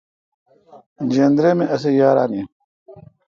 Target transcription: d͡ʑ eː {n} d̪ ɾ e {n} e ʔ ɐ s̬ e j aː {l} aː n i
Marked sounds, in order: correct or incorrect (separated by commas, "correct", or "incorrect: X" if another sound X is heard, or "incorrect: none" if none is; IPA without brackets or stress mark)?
correct, incorrect: m, incorrect: ɾ